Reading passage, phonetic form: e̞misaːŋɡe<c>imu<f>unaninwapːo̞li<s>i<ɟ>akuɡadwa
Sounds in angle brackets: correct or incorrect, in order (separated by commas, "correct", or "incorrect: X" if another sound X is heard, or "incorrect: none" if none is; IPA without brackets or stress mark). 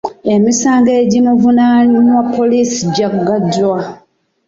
incorrect: ɟ, incorrect: v, correct, correct